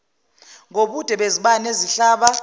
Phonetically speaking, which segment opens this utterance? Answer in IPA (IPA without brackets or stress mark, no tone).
ŋ